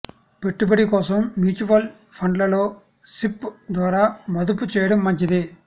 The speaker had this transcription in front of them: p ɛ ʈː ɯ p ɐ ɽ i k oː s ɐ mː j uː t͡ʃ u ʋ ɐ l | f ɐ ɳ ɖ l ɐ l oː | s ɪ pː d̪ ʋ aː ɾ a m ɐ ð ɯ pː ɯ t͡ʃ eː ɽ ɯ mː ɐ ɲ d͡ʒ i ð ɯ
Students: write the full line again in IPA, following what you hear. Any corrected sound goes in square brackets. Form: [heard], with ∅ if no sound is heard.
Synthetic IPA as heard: p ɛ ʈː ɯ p ɐ ɽ i k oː s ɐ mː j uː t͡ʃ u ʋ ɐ l | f ɐ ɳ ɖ l ɐ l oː | s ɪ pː d̪ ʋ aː ɾ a m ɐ ð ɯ pː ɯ t͡ʃ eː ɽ ɯ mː ɐ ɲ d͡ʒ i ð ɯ